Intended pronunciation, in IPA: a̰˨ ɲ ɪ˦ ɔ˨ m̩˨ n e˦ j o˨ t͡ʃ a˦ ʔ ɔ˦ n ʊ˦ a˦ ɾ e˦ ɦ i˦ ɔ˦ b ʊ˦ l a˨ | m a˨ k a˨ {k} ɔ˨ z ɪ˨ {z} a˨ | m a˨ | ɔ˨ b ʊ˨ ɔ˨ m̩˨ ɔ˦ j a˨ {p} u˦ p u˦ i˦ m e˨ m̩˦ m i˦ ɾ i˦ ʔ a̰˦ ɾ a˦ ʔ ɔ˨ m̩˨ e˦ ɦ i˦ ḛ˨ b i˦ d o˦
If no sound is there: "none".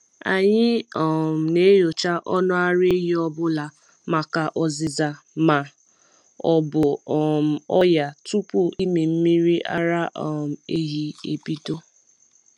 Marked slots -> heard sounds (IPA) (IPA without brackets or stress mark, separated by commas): ʔ, z, t